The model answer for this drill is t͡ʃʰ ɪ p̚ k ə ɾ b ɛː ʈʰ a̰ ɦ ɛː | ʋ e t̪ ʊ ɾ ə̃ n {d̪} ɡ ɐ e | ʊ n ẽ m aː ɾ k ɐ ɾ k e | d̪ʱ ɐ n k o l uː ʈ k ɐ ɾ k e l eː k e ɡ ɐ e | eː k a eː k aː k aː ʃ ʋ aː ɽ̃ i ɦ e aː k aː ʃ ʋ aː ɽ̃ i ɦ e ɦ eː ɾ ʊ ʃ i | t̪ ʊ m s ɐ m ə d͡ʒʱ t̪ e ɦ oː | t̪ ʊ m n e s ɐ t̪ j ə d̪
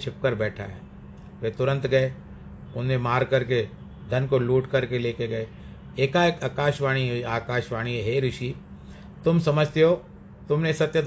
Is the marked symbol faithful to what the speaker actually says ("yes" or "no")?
no